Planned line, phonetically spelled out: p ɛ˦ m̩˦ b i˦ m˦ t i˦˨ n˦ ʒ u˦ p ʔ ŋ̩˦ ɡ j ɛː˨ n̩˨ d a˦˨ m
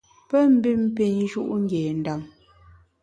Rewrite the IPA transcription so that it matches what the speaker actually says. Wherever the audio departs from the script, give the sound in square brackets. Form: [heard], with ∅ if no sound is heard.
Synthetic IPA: p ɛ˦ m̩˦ b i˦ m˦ [p] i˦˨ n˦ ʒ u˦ [∅] ʔ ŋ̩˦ ɡ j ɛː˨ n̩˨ d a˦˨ m